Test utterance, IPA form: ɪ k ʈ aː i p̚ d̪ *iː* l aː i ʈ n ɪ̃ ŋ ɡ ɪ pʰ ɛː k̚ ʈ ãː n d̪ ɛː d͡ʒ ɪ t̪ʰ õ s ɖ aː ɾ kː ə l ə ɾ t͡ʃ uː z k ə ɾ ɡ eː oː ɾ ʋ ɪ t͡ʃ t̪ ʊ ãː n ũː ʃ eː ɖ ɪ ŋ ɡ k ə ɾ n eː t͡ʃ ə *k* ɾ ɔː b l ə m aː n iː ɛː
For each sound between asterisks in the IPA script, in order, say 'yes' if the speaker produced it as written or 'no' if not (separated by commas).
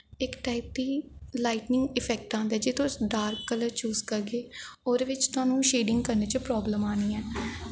yes, no